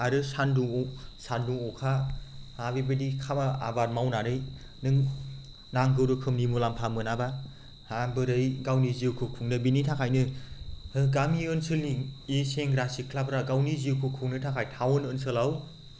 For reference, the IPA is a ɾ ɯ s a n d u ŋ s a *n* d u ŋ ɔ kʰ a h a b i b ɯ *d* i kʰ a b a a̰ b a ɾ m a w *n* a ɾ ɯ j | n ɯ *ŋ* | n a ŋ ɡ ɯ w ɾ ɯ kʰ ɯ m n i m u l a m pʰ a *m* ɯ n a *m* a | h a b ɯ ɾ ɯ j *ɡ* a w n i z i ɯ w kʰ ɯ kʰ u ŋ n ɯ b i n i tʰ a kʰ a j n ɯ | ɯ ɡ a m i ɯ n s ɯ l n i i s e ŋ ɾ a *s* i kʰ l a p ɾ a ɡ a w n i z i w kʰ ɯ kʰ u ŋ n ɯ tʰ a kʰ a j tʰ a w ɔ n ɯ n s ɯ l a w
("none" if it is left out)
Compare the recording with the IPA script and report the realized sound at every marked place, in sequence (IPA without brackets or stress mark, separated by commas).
n, d, n, ŋ, m, b, ɡ, s